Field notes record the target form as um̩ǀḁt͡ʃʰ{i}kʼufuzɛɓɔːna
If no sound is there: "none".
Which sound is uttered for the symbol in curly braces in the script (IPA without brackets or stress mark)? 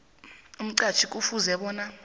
i